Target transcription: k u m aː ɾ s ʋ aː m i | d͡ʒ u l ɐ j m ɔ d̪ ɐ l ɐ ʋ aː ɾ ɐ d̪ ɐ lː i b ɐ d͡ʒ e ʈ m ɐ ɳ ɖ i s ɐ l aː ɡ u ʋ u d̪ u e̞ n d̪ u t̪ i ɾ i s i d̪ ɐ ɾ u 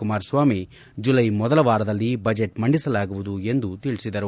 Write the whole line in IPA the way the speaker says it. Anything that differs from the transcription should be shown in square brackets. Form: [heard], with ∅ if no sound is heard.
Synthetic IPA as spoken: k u m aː ɾ s ʋ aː m i | d͡ʒ u l ɐ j m ɔ d̪ ɐ l ɐ ʋ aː ɾ ɐ d̪ ɐ lː i b ɐ d͡ʒ e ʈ m ɐ ɳ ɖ i s ɐ l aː ɡ u ʋ u d̪ u e̞ n d̪ u t̪ i [ɭ] i s i d̪ ɐ ɾ u